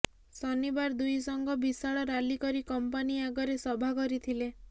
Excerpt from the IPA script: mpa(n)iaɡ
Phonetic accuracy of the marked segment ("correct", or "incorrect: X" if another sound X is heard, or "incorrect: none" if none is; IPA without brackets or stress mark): correct